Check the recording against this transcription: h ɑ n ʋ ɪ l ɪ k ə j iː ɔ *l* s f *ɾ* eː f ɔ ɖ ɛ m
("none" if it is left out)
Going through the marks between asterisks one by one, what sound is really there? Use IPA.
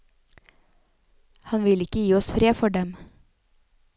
none, ɾ

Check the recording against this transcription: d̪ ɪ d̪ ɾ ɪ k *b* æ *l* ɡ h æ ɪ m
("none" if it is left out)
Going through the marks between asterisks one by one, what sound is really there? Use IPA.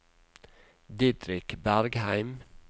b, ɾ

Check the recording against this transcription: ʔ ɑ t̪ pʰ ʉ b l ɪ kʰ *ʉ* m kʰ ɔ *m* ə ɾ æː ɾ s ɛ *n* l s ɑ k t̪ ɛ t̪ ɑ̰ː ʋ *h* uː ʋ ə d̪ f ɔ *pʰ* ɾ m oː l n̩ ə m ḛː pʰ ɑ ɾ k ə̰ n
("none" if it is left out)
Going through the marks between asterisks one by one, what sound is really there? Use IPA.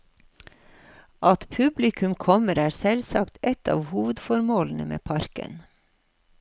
ʉ, m, none, h, none

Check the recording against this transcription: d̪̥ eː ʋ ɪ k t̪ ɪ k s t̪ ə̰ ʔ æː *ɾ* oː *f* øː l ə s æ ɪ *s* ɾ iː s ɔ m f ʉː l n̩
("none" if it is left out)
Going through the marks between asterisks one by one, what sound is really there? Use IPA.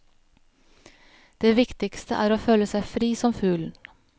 ɾ, f, f

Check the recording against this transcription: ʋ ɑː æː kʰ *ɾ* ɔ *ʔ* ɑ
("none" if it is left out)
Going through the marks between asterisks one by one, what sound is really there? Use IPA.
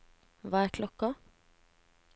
l, k

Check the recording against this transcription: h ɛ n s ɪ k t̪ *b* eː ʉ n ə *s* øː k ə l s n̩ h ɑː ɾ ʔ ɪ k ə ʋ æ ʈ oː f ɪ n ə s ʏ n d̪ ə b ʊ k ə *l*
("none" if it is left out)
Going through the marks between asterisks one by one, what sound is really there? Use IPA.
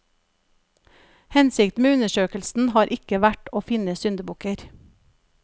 m, ʃ, ɾ

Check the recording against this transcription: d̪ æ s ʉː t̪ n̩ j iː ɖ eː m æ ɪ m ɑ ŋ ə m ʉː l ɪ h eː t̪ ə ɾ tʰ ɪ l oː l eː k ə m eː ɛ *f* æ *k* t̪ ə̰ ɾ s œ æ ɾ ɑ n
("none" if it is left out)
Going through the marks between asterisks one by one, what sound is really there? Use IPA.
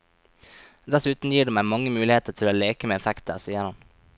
f, k

